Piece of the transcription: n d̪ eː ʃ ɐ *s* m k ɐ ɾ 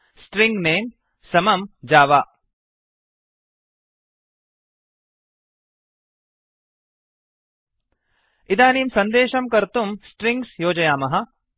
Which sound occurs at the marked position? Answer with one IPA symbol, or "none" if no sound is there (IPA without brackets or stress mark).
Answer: none